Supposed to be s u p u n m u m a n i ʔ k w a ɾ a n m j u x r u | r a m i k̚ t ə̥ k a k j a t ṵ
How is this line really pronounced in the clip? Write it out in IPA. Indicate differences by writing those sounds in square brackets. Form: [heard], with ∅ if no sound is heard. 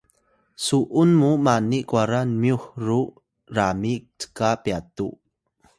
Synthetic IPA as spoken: s u [ʔ] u n m u m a n i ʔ k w a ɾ a n m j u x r u | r a m i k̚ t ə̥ k a [p] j a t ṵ